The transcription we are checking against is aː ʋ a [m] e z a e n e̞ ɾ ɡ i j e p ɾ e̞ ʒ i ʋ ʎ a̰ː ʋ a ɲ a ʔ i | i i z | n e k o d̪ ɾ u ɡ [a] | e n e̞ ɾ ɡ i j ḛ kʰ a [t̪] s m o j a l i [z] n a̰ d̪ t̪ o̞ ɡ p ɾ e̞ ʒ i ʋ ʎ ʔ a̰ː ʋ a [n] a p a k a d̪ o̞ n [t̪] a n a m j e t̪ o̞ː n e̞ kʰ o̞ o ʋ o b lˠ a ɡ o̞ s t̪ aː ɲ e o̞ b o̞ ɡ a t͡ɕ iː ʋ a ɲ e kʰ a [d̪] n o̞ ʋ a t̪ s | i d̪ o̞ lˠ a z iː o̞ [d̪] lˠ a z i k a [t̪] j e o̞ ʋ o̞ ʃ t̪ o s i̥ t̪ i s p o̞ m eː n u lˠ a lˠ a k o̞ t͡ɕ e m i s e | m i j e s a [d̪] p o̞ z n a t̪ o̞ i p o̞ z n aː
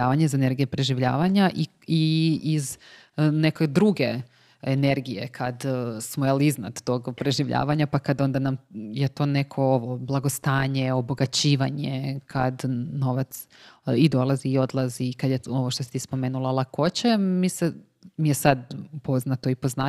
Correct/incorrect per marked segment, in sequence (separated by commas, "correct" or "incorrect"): incorrect, incorrect, incorrect, correct, incorrect, incorrect, correct, correct, incorrect, correct